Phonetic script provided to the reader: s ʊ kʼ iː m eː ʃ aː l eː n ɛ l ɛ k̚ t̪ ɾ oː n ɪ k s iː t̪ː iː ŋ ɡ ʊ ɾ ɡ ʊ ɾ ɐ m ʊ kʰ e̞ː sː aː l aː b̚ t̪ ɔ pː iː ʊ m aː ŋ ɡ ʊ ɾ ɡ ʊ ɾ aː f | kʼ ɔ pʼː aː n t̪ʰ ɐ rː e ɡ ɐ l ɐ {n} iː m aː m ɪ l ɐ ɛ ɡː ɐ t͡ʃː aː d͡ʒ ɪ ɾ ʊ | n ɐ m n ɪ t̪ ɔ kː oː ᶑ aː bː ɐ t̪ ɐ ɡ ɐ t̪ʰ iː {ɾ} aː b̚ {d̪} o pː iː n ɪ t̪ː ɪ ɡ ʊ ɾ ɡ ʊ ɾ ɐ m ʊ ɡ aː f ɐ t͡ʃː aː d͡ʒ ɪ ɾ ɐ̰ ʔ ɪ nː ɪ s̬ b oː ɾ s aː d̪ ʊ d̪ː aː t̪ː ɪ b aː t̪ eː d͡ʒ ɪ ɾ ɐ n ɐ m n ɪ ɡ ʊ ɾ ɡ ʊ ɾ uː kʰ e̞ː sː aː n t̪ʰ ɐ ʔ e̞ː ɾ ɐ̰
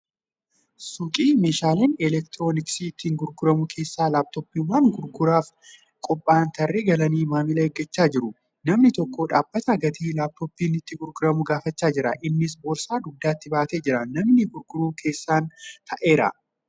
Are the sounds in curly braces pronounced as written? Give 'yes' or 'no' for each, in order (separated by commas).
yes, no, no